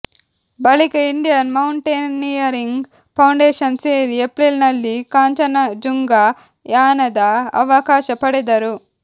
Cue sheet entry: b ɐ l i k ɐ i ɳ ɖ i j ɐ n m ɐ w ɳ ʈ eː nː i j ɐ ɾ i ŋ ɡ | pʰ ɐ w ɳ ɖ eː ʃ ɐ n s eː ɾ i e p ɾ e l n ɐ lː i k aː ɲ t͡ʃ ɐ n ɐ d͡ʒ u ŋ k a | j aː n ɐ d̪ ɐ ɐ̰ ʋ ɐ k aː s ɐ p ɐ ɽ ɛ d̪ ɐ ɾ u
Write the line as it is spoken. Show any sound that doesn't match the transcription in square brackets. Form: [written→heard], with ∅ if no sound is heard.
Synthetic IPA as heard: b ɐ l i k ɐ i ɳ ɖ i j ɐ n m ɐ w ɳ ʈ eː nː i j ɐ ɾ i ŋ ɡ | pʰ ɐ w ɳ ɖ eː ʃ ɐ n s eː ɾ i e p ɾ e l n ɐ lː i k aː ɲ t͡ʃ ɐ n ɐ d͡ʒ u ŋ [k→ɡ] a | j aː n ɐ d̪ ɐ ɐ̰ ʋ ɐ k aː [s→ʃ] ɐ p ɐ ɽ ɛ d̪ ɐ ɾ u